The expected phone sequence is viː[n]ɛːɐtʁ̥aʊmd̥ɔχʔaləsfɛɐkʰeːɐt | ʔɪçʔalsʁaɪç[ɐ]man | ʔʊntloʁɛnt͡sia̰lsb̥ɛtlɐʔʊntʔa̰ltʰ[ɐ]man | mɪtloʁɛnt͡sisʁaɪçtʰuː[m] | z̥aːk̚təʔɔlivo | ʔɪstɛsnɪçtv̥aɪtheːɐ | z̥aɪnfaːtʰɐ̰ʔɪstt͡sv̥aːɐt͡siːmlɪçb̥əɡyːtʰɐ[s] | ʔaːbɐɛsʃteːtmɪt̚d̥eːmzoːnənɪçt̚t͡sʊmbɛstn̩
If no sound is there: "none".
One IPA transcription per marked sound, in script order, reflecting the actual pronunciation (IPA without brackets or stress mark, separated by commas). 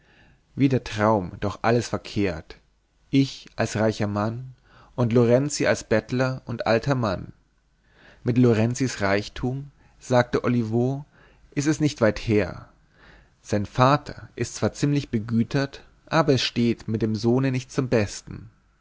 d, ɐ, ɐ, m, t